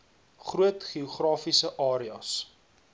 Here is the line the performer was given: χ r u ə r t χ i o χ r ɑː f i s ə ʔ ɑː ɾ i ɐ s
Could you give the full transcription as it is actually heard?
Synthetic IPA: χ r u ə t χ i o χ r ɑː f i s ə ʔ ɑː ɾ i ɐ s